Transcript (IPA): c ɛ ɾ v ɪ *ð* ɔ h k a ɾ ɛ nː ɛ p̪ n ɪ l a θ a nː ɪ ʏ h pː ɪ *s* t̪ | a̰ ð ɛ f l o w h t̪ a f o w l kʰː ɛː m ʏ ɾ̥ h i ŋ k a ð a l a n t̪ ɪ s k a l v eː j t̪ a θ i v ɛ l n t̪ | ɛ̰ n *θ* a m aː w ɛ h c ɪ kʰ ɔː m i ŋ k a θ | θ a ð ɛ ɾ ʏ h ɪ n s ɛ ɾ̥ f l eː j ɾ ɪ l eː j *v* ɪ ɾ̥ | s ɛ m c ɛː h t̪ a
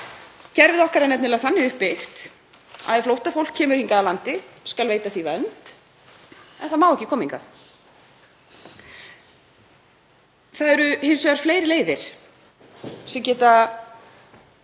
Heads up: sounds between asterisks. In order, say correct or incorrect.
correct, incorrect: x, correct, incorrect: ð

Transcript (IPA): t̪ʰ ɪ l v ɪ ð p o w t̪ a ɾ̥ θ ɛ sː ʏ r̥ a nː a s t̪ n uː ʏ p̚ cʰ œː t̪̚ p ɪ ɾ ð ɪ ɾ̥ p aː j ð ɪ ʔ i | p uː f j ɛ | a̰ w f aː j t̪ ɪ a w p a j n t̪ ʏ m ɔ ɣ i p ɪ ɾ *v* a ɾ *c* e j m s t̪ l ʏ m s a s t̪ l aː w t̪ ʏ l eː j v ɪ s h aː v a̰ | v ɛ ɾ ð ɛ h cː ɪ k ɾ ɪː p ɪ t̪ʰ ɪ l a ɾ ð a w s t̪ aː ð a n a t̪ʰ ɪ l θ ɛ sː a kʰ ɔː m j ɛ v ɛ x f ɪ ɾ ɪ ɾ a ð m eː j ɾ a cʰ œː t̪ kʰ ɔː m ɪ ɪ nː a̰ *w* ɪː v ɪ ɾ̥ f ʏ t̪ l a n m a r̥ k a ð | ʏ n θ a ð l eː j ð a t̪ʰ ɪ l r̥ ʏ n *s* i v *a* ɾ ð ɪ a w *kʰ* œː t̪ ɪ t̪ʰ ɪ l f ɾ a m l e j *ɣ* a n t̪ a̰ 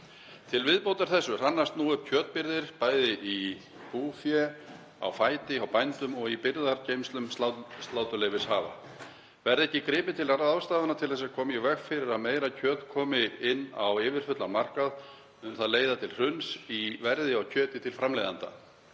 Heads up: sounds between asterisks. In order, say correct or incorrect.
incorrect: ð, correct, correct, correct, incorrect: ɛ, incorrect: cʰ, incorrect: ð

